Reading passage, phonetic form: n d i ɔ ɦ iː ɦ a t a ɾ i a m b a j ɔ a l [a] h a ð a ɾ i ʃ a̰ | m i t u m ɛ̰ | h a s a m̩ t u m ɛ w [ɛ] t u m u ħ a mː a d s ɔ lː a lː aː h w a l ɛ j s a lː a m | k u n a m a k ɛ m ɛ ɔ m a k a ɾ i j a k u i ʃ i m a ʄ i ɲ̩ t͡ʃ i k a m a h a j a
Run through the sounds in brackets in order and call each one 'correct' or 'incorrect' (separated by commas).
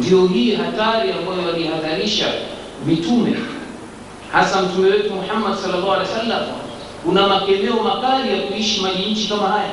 incorrect, correct